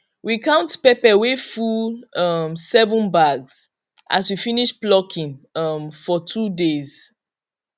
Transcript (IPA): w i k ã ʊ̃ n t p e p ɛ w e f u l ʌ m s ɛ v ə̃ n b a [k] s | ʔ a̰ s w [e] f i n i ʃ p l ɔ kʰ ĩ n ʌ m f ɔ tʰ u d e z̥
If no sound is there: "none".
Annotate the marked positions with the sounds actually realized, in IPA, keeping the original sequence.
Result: ɡ, i

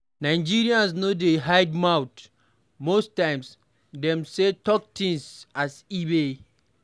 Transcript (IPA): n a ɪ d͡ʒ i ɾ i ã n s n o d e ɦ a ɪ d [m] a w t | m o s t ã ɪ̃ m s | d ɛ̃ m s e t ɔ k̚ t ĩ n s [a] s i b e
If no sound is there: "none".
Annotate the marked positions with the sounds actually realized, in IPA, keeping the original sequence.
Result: m, a

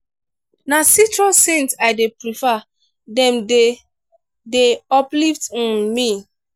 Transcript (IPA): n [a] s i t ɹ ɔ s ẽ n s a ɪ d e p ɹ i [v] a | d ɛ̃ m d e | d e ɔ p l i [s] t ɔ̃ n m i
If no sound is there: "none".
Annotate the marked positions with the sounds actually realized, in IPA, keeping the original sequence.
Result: a, f, f

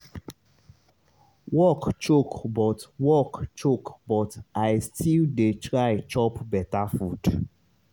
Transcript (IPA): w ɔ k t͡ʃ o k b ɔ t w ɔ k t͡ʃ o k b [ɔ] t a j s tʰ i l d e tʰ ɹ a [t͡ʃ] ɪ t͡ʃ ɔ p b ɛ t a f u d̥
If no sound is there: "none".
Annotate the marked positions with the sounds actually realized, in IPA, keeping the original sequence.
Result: ɔ, none

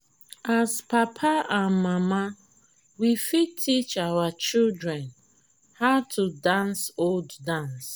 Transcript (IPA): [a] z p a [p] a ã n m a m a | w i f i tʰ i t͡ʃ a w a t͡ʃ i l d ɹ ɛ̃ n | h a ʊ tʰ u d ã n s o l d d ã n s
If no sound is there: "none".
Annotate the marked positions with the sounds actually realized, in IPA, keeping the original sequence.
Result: a, pʰ

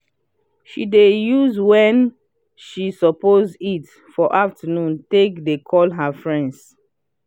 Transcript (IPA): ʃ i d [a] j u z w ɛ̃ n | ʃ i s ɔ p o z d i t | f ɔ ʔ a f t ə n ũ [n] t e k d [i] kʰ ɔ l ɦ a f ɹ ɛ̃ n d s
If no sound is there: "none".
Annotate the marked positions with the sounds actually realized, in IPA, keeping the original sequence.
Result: e, n, e

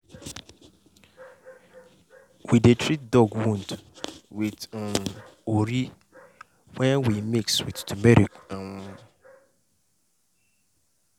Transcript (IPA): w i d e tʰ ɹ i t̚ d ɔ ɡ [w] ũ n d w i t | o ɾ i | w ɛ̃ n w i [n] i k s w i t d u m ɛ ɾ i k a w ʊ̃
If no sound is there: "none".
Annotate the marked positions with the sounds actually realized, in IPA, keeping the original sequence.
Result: w, m

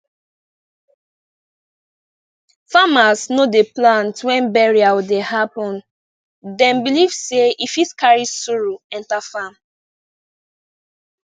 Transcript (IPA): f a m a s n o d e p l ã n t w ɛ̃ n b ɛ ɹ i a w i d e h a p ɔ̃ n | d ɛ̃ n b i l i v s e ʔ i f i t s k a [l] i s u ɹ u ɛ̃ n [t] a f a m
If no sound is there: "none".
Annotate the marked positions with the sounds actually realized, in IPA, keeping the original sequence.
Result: ɹ, t

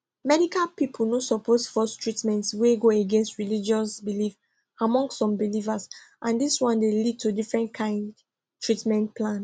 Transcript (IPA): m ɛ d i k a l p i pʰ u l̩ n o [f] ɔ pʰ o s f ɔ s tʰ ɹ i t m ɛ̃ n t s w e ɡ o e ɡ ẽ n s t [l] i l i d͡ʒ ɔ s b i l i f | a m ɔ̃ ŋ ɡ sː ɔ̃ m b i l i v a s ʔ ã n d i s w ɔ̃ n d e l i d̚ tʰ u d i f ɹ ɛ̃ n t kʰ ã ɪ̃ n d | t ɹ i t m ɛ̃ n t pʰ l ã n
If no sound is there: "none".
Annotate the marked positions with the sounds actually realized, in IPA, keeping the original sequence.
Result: s, ɹ

